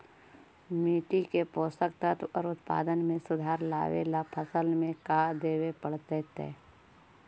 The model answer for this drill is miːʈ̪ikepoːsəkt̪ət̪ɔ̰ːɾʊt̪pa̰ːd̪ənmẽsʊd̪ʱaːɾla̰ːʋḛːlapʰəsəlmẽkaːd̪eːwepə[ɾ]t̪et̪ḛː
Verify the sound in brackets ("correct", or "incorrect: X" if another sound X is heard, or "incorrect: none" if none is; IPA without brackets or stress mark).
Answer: incorrect: ɽ